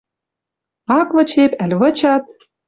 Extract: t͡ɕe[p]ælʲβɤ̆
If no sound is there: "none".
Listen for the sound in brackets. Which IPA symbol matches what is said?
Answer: p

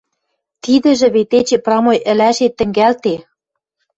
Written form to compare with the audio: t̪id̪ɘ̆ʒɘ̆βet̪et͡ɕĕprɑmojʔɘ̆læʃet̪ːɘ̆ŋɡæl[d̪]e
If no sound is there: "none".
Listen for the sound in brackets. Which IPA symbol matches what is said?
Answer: t̪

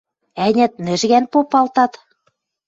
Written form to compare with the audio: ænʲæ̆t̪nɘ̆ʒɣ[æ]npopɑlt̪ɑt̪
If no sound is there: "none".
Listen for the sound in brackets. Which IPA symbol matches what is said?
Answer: æ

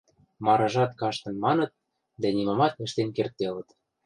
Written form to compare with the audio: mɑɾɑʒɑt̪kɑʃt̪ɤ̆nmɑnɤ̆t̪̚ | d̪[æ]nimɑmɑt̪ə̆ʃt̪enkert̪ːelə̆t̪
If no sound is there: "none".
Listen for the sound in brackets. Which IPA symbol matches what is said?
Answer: æ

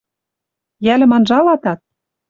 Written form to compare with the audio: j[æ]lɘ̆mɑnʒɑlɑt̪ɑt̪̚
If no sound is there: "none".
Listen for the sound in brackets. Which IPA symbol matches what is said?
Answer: æ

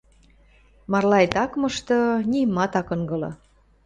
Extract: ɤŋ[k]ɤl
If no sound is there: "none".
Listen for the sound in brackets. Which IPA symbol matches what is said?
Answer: ɡ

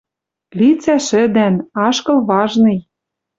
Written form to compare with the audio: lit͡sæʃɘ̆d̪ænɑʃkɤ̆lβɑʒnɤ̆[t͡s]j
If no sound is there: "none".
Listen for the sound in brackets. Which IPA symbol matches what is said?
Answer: none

